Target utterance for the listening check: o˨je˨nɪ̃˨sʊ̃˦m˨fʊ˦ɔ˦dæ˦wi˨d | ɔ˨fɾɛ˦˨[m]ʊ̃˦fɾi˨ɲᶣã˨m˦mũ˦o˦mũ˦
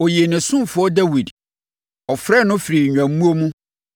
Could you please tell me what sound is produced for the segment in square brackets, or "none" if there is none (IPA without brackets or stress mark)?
n